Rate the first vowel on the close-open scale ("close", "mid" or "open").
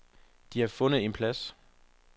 close